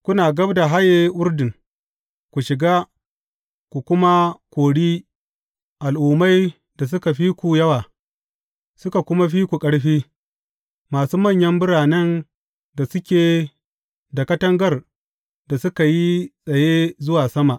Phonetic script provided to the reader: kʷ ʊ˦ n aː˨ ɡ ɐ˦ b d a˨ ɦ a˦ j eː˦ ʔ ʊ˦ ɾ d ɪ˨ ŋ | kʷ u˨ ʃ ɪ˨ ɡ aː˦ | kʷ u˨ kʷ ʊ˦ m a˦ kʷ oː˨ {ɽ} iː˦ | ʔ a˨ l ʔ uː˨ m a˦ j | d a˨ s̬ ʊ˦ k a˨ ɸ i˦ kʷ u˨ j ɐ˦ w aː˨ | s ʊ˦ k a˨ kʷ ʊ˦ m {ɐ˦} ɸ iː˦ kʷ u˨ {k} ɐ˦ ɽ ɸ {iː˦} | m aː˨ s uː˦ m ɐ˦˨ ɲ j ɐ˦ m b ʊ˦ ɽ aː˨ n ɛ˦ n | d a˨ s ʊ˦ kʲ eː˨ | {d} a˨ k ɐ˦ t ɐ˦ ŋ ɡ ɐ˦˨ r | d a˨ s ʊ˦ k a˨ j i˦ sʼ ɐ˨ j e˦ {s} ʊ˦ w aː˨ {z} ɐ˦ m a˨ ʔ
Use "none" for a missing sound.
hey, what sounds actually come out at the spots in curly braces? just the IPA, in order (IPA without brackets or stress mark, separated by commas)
ɽ, a˦, kʼ, iː˦, d, z, s